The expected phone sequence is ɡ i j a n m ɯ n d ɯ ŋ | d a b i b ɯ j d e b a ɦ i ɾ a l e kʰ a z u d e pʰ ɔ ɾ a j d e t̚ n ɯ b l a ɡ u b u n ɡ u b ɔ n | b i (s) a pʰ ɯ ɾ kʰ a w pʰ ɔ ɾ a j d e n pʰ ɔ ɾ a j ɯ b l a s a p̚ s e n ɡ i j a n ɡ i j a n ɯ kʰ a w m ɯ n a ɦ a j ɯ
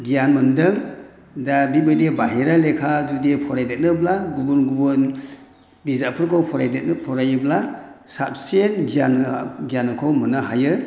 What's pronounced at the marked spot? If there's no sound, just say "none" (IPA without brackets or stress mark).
z